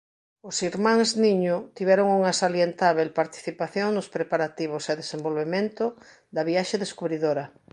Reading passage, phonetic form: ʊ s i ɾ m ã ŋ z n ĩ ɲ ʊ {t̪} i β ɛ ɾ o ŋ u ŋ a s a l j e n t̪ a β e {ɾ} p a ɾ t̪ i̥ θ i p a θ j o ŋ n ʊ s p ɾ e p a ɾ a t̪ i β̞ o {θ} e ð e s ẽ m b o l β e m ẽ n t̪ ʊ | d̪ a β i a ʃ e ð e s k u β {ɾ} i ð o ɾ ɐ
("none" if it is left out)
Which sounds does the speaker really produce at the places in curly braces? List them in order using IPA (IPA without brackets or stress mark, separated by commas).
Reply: t̪, l, s, ɾ